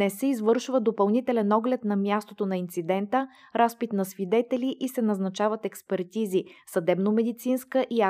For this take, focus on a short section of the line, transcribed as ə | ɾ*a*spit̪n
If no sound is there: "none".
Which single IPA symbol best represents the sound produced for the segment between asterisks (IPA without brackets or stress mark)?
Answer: a